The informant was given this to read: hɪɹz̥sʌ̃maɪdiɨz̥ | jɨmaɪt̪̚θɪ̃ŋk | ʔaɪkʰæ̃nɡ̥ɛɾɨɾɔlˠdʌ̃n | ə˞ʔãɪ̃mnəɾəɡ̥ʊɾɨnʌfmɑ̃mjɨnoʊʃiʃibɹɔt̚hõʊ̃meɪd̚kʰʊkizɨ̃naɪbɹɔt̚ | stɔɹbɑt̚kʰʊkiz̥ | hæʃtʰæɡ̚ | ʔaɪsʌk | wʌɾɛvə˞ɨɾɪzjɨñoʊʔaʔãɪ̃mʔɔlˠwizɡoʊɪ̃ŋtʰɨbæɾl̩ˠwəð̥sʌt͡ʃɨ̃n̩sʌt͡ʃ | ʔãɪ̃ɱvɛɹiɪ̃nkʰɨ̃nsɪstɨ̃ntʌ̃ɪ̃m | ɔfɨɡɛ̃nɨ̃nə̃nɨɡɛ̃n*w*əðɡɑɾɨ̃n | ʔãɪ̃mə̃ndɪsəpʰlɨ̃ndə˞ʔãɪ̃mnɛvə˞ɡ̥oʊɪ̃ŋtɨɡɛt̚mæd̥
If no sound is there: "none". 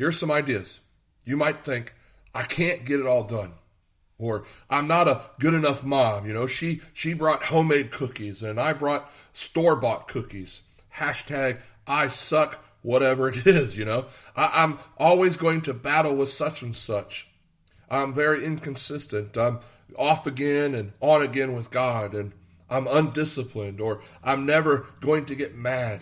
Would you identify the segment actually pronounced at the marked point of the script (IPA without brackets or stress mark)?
w